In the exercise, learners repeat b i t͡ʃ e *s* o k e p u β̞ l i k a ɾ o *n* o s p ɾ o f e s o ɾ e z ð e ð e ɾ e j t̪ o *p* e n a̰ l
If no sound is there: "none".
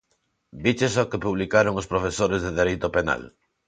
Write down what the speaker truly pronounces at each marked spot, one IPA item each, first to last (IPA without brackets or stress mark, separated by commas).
s, ŋ, p